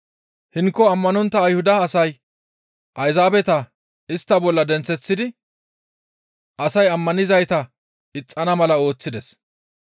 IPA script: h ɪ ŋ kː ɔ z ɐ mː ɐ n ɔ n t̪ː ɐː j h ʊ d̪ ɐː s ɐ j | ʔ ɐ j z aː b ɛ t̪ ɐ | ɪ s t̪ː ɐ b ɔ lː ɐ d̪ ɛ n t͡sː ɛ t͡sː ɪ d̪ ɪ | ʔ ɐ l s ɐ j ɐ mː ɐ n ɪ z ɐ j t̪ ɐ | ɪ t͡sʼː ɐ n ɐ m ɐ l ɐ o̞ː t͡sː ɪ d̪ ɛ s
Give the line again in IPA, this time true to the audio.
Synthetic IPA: h ɪ ŋ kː ɔ ɐ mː ɐ n ɔ n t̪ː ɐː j h ʊ d̪ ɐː s ɐ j | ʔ ɐ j z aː b ɛ t̪ ɐ | ɪ s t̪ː ɐ b ɔ lː ɐ d̪ ɛ n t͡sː ɛ t͡sː ɪ d̪ ɪ | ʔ ɐ s ɐ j ɐ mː ɐ n ɪ z ɐ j t̪ ɐ | ɪ t͡sʼː ɐ n ɐ m ɐ l ɐ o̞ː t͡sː ɪ d̪ ɛ s

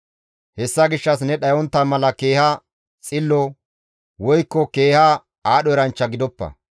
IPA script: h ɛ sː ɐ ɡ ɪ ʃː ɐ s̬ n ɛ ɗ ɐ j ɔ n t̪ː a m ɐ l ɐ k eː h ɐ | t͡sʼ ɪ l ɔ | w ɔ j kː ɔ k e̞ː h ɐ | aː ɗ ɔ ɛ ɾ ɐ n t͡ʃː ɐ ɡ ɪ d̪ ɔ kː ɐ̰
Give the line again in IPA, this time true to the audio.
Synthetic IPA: h ɛ sː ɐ ɡ ɪ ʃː ɐ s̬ n ɛ ɗ ɐ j ɔ n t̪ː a m ɐ l ɐ k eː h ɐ | t͡sʼ ɪ lː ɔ | w ɔ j kː ɔ k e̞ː h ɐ | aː ɗ ɔ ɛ ɾ ɐ n t͡ʃː ɐ ɡ ɪ d̪ ɔ pː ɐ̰

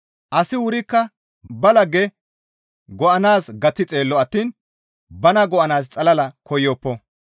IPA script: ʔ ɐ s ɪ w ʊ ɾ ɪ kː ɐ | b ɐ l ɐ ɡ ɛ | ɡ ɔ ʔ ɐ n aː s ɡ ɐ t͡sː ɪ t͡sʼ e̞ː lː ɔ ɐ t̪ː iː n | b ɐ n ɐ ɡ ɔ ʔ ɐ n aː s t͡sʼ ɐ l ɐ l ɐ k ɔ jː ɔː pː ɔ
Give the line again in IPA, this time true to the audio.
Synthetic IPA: ʔ ɐ s ɪ w ʊ ɾ ɪ kː ɐ | b ɐ l ɐ ɡ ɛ | ɡ ɔ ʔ ɐ n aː s ɡ ɐ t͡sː ɪ t͡sʼ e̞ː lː ɔ ɐ t̪ː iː n | b ɐ n ɐ ɡ ɔ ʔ ɐ n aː s t͡sʼ ɐ l ɐ l ɐ k ɔ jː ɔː pː ɔ

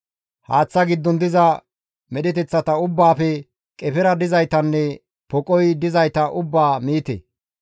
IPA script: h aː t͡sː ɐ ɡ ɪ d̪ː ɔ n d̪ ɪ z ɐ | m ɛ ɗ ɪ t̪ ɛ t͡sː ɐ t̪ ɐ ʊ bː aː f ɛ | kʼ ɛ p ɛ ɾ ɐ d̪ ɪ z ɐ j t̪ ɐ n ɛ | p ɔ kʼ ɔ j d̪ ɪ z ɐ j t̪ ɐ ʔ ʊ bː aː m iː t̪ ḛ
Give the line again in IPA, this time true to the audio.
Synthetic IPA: h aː t͡sː ɐ ɡ ɪ d̪ː ɔ n d̪ ɪ z ɐ | m ɛ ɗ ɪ t̪ ɛ t͡sː ɐ t̪ ɐ ʊ bː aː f ɛ | kʼ ɛ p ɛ ɾ ɐ d̪ ɪ z ɐ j t̪ ɐ nː ɛ | p ɔ kʼ ɔ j d̪ ɪ z ɐ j t̪ ɐ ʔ ʊ bː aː m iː t̪ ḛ

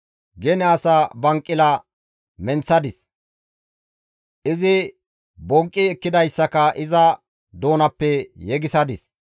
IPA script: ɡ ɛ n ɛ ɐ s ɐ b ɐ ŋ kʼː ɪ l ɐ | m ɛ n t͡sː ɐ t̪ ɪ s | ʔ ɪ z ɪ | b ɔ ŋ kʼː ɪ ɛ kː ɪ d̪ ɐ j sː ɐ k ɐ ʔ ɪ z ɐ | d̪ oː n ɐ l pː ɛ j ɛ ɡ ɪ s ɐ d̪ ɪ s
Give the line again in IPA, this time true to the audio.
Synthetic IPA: ɡ ɛ n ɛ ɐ s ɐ b ɐ ŋ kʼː ɪ l ɐ | m ɛ n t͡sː ɐ d̪ ɪ s | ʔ ɪ z ɪ | b ɔ ŋ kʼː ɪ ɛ kː ɪ d̪ ɐ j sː ɐ k ɐ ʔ ɪ z ɐ | d̪ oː n ɐ pː ɛ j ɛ ɡ ɪ s ɐ d̪ ɪ s

